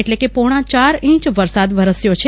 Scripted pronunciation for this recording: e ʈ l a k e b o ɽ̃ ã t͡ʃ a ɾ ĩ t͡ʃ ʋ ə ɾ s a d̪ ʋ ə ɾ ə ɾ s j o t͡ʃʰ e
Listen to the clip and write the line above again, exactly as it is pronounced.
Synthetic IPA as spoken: e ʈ l e k e p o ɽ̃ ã t͡ʃ a ɾ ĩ t͡ʃ ʋ ə ɾ s a d̪ ʋ ə ɾ ə s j o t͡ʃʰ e